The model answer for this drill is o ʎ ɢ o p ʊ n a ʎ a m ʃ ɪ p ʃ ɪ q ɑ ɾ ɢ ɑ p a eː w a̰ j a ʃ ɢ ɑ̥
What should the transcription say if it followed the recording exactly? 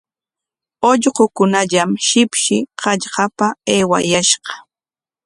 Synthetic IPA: o ʎ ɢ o k ʊ n a ʎ a m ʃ ɪ p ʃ ɪ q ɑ ʎ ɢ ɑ p a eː w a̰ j a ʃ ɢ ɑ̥